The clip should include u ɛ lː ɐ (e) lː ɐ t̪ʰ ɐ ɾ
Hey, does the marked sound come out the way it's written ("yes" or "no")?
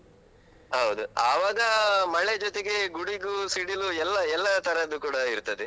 no